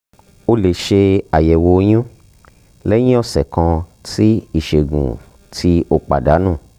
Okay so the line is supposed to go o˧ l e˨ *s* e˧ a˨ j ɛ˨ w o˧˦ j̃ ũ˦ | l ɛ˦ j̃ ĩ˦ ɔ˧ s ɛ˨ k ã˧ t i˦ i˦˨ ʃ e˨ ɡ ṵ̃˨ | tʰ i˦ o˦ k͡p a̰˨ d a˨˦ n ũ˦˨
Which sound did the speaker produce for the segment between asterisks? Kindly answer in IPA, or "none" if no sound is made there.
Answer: ʃ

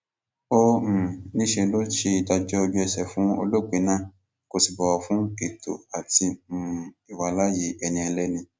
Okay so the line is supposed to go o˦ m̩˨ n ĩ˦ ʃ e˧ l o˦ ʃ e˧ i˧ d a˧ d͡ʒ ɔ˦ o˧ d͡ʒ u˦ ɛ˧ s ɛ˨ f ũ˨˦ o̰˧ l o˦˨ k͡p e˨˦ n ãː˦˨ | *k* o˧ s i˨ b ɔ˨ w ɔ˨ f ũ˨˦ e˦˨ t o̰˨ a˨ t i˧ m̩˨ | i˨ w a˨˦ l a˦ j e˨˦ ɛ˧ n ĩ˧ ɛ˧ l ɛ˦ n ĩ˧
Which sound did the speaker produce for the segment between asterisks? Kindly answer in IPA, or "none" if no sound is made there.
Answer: k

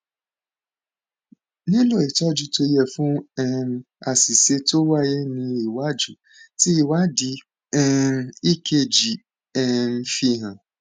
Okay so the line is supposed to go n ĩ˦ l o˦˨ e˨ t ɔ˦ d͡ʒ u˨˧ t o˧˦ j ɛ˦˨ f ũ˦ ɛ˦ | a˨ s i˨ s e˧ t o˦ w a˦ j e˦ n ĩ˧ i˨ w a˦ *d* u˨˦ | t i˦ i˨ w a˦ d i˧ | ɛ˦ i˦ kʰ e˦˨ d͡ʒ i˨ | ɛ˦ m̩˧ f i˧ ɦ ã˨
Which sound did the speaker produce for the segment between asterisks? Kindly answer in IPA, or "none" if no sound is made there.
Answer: d͡ʒ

